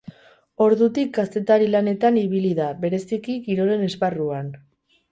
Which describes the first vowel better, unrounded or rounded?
rounded